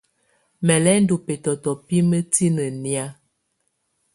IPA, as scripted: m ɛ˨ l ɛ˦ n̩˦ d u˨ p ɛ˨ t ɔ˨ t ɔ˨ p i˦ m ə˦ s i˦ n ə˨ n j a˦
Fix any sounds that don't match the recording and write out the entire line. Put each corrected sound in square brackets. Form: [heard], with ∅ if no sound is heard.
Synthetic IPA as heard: m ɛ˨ l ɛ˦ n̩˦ d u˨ p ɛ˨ t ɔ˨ t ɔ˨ p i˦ m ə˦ [t] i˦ n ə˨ n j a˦